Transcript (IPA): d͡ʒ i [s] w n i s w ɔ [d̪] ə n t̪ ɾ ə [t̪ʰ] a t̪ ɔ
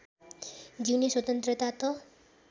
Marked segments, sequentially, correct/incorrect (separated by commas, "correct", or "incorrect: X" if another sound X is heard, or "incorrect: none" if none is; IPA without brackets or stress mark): incorrect: none, incorrect: t̪, incorrect: t̪